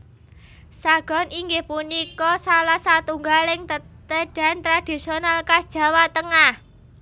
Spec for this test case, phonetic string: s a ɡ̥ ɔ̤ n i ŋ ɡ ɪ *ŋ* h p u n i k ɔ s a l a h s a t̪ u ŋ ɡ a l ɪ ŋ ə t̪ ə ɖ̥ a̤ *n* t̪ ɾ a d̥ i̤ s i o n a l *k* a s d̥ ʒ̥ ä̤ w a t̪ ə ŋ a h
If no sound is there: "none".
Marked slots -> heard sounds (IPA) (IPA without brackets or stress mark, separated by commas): none, n, k